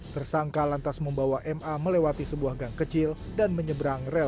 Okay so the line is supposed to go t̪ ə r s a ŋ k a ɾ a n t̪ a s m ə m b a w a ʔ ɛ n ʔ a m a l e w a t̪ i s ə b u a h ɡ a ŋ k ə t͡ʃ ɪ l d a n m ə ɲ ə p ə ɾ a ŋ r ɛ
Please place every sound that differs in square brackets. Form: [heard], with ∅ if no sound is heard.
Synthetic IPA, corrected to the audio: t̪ ə r s a ŋ k a [l] a n t̪ a s m ə m b a w a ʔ ɛ [m] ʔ a m [ə] l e w a t̪ i s ə b u a h ɡ a ŋ k ə t͡ʃ ɪ l d a n m ə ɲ ə [b] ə ɾ a ŋ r ɛ

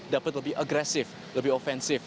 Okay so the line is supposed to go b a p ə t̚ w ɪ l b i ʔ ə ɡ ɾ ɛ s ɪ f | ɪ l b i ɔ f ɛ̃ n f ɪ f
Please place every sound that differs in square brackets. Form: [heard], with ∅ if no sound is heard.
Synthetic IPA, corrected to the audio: [d] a p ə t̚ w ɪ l b i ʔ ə ɡ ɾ ɛ s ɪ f | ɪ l b i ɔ f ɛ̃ n [s] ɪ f

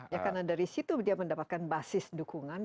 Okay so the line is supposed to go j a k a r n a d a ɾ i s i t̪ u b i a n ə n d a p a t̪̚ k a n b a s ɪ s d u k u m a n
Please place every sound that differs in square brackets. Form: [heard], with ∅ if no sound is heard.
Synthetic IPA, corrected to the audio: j a k a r n a d a ɾ i s i t̪ u [d] i a [m] ə n d a p a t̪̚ k a n b a s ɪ s d u k u [ŋ] a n

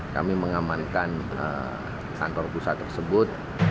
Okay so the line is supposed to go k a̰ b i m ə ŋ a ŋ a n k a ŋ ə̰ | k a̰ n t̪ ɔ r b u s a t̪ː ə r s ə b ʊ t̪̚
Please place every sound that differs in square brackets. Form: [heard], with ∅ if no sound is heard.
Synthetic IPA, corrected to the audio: k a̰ [m] i m ə ŋ a [m] a n k a [n] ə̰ | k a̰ n t̪ ɔ r [p] u s a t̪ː ə r s ə b ʊ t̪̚

